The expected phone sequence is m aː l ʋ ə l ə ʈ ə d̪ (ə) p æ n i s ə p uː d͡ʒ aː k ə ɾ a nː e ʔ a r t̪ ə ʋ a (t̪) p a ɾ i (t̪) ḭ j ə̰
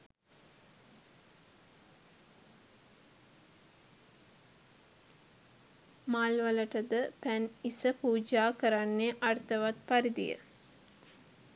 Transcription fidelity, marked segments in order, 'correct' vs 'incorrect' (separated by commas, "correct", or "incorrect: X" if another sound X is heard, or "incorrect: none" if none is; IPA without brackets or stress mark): correct, correct, incorrect: d̪